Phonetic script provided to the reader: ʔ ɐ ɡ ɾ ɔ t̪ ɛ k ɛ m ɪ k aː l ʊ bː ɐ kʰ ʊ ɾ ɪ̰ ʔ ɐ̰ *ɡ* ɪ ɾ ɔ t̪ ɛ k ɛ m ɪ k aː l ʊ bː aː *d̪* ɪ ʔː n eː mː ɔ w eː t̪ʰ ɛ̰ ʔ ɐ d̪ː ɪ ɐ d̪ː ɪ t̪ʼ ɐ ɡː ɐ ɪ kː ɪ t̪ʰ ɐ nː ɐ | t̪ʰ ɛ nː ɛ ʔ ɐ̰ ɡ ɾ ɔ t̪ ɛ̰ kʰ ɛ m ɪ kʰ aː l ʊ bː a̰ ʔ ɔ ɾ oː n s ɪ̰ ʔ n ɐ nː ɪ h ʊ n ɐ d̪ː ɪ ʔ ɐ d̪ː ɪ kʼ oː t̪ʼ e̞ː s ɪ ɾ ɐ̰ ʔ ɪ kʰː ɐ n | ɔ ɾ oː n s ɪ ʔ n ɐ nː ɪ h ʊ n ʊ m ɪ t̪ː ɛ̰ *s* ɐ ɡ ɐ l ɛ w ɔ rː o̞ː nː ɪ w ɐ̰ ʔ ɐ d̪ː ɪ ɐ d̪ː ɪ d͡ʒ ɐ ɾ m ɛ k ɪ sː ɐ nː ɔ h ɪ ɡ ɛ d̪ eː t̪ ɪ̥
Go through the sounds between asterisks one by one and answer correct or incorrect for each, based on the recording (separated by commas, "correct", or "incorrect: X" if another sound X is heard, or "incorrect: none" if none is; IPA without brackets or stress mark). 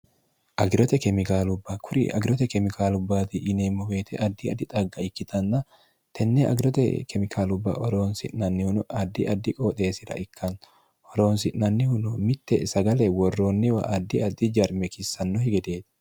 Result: correct, incorrect: t̪, correct